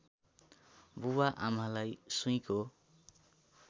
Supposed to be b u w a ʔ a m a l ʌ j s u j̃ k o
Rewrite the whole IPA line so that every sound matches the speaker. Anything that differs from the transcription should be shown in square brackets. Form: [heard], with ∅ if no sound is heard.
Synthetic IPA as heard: b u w a ʔ a m a l [a] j s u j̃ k o